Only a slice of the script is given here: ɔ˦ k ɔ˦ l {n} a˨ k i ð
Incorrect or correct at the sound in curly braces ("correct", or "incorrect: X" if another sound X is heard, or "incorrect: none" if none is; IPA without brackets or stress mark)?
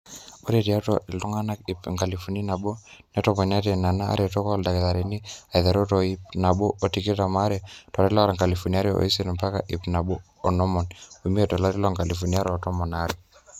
incorrect: d